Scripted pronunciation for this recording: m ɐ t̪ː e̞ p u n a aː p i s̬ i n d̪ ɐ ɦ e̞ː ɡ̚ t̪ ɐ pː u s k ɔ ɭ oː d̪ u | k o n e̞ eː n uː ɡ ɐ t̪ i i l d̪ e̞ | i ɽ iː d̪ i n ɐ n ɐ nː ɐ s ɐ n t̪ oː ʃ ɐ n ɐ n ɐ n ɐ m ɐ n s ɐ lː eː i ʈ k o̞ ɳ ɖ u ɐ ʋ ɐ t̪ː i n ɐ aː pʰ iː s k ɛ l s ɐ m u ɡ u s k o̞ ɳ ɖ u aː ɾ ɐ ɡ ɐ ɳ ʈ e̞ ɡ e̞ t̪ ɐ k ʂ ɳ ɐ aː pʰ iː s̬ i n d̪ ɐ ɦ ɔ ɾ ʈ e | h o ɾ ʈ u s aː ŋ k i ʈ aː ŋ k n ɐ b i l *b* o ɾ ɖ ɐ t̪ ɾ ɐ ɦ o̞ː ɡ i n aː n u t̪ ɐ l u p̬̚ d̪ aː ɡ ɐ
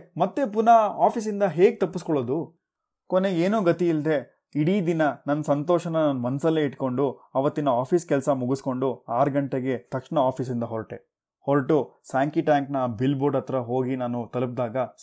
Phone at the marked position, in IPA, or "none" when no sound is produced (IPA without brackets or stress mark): b